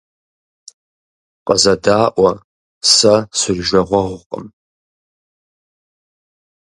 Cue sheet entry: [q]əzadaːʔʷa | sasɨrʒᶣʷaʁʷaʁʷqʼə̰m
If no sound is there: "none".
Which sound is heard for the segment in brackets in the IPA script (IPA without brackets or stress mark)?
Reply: qʼ